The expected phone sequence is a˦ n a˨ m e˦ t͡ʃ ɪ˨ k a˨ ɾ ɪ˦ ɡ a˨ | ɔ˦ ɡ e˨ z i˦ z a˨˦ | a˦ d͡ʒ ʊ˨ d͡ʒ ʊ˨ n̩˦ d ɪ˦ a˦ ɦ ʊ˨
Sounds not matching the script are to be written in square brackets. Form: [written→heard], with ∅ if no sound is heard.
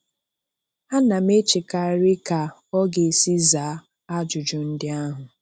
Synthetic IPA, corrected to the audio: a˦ n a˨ m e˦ t͡ʃ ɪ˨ k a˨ ɾ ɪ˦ [ɡ→k] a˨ | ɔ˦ ɡ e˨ [z→s] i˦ z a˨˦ | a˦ d͡ʒ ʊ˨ d͡ʒ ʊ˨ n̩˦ d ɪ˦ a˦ ɦ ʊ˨